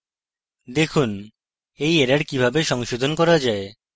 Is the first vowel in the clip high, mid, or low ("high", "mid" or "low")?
mid